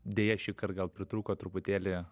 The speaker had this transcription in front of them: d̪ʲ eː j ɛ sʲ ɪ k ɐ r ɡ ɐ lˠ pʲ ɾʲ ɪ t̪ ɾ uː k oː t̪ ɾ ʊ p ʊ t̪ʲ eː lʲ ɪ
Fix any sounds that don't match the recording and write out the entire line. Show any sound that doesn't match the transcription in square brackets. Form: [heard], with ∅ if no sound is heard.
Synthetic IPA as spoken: d̪ʲ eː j ɛ [ʃʲ] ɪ k ɐ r ɡ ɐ lˠ pʲ ɾʲ ɪ t̪ ɾ uː k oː t̪ ɾ ʊ p ʊ t̪ʲ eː lʲ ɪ